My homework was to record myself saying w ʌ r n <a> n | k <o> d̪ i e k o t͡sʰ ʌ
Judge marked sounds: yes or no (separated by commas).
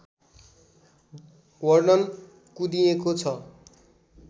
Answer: no, no